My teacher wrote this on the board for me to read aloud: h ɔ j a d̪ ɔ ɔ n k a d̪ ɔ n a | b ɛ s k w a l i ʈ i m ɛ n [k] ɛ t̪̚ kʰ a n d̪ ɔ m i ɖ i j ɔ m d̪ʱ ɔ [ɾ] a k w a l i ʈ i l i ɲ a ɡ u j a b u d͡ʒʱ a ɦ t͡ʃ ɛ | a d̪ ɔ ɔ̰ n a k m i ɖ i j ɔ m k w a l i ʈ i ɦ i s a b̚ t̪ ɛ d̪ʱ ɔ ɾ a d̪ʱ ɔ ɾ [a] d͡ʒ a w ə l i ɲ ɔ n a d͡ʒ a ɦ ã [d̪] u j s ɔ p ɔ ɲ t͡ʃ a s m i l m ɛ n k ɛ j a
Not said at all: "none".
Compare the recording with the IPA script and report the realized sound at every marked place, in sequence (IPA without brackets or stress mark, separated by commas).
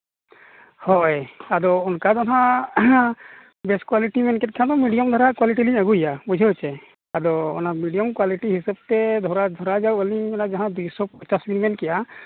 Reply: k, ɾ, a, d̪